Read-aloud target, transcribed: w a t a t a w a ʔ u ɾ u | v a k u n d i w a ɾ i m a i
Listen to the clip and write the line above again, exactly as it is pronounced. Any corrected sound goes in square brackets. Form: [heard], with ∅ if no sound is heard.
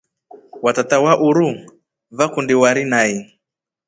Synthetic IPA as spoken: w a t a t a w a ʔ u ɾ u | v a k u n d i w a ɾ i [n] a i